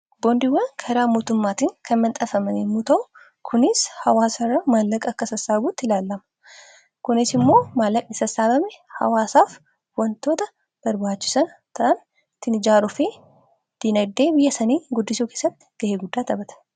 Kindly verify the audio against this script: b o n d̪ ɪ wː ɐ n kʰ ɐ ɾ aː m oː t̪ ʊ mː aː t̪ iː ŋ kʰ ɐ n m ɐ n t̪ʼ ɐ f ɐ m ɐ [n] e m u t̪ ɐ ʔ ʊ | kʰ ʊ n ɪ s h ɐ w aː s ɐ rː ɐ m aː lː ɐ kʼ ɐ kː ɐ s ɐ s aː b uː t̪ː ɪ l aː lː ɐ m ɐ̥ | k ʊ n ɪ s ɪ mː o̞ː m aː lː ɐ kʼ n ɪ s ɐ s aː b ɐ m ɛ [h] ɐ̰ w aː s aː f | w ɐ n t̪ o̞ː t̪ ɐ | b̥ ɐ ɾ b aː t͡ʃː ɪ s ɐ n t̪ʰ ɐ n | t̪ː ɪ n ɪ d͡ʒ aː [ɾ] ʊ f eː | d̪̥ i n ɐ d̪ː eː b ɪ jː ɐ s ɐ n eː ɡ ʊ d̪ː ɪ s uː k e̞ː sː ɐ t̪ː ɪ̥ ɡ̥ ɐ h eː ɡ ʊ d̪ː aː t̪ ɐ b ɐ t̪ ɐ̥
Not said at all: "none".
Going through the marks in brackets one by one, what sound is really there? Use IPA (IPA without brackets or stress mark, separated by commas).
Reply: n, h, ɾ